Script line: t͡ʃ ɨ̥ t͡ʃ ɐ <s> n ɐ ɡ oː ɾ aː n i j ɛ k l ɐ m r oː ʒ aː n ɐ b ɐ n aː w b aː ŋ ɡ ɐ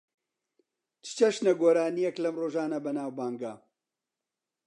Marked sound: incorrect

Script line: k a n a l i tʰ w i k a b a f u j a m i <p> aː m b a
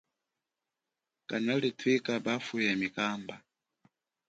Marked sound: incorrect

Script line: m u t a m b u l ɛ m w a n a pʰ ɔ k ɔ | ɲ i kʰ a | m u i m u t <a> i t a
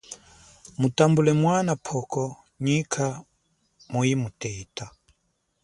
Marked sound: incorrect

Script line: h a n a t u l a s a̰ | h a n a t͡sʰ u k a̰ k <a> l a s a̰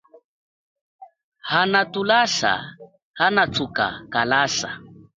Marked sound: correct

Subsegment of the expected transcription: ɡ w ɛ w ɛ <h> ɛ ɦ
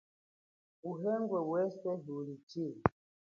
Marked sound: incorrect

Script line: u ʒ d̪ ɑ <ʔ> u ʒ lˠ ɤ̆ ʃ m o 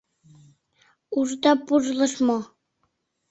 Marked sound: incorrect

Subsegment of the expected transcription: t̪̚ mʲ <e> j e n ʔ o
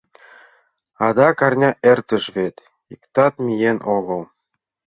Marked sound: incorrect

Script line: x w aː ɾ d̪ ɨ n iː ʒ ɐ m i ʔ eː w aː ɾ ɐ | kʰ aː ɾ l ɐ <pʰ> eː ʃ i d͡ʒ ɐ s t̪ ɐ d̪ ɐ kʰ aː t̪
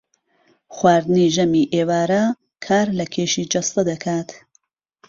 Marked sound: incorrect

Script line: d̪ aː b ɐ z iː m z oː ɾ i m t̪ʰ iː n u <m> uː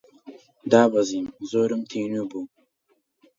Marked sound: incorrect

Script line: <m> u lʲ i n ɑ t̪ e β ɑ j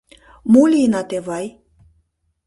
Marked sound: correct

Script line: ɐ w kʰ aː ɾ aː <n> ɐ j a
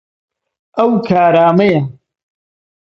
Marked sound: incorrect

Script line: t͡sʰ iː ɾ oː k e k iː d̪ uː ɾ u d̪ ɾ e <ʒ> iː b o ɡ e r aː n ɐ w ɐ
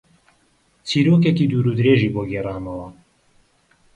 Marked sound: correct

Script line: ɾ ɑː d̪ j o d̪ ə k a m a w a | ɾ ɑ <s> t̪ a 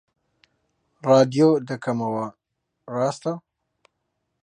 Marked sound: correct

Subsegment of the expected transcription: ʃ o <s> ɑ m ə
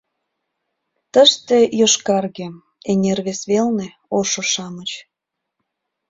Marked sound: incorrect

